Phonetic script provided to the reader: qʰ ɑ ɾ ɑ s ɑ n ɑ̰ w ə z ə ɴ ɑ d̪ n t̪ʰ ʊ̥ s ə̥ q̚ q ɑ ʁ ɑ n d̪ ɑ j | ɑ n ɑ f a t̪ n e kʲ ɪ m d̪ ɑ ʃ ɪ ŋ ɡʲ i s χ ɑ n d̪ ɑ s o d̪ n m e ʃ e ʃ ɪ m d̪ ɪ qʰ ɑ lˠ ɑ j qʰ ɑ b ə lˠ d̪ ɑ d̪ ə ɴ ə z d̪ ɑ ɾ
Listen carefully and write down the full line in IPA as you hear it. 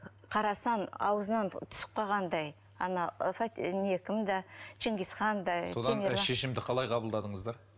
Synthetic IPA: qʰ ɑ ɾ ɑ s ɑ n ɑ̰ w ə z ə n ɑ n t̪ʰ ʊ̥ s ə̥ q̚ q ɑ ʁ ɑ n d̪ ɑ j | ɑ n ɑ f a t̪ n e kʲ ɪ m d̪ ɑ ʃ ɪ ŋ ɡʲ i s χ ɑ n d̪ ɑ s o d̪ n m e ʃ e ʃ ɪ m d̪ ɪ qʰ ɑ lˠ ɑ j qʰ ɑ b ə lˠ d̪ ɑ d̪ ə ɴ ə z d̪ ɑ ɾ